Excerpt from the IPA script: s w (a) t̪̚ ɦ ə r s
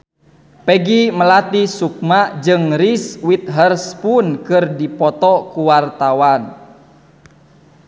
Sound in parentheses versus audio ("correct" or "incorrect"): incorrect